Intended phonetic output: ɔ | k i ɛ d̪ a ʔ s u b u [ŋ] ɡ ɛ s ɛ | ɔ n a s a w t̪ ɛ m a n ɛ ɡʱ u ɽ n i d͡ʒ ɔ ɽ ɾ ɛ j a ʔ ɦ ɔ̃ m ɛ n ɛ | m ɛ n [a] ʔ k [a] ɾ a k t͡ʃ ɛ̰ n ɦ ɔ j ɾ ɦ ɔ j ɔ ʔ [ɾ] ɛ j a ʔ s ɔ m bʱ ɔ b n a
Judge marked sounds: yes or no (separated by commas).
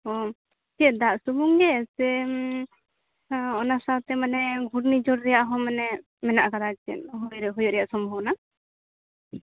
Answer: yes, yes, yes, yes